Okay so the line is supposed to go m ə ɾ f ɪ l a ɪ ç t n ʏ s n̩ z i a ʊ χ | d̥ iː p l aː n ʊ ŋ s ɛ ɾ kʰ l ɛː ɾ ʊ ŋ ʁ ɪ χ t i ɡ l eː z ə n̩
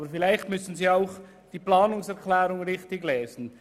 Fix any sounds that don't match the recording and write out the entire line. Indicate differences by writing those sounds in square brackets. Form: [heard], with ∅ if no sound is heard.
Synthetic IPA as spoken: [b] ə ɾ f ɪ l a ɪ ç t [m] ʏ s n̩ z [iː] a ʊ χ | d̥ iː p l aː n ʊ ŋ s ɛ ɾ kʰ l ɛː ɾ ʊ ŋ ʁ ɪ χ t [ɪ] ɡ l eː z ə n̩